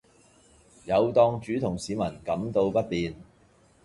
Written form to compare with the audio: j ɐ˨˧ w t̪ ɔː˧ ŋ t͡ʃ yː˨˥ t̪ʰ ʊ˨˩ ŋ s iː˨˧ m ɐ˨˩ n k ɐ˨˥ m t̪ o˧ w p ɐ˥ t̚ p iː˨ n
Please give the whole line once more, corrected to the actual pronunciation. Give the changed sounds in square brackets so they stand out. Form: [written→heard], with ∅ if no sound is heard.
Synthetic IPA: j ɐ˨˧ w t̪ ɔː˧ ŋ t͡ʃ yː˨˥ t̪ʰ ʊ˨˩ ŋ s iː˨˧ m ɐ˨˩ n k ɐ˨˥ m t̪ o˧ w p ɐ˥ t̚ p iː˨ n